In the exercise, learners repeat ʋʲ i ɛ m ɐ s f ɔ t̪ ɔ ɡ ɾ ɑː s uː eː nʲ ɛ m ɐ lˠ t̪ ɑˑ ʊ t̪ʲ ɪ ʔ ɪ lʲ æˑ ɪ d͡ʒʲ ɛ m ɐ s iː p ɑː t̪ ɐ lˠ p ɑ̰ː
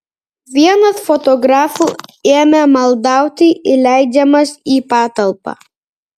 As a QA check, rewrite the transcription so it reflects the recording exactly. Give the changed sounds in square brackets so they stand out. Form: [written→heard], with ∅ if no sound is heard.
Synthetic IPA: ʋʲ i ɛ [m→n] ɐ s f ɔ t̪ ɔ ɡ ɾ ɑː [s→f] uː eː [nʲ→mʲ] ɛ m ɐ lˠ [t̪→d̪] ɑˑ ʊ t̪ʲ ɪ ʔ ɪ lʲ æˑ ɪ d͡ʒʲ ɛ m ɐ s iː p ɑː t̪ ɐ lˠ p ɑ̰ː